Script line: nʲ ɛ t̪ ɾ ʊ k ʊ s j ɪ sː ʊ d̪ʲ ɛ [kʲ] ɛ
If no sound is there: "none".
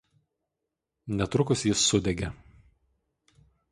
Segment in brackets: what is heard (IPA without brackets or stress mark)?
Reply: ɡʲ